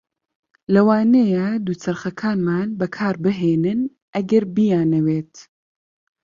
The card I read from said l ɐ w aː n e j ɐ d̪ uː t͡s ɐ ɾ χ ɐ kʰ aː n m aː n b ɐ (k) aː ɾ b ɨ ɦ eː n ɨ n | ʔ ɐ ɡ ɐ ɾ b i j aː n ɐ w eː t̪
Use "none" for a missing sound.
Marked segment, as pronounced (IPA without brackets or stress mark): kʰ